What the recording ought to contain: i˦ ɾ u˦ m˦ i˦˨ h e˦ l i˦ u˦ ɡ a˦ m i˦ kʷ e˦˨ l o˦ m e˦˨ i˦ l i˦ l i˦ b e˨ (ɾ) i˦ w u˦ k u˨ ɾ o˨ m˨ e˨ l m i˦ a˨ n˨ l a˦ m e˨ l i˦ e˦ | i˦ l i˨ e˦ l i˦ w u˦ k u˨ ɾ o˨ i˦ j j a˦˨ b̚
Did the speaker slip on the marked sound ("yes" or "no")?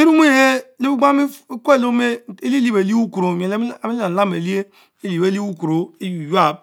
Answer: yes